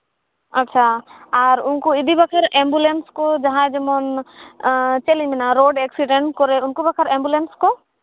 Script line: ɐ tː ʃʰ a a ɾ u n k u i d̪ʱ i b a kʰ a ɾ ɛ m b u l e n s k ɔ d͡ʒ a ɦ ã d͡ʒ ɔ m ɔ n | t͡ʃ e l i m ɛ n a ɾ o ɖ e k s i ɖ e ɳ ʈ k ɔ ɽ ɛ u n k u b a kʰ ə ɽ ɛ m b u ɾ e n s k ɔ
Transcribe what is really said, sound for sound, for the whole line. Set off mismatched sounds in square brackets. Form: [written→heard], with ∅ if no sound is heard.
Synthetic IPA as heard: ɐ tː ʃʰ a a ɾ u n k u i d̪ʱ i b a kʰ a ɾ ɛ m b u l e n s k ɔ d͡ʒ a ɦ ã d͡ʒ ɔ m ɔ n | t͡ʃ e l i m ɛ n a ɾ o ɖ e k s i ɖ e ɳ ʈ k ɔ [ɽ→ɾ] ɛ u n k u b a kʰ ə [ɽ→ɾ] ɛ m b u [ɾ→l] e n s k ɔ